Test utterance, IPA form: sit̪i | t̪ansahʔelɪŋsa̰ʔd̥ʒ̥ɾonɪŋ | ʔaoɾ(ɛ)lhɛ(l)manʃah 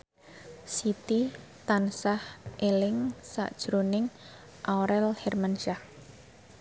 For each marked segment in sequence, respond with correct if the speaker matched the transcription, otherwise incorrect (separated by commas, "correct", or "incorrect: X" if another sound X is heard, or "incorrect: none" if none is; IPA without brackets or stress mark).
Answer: correct, incorrect: r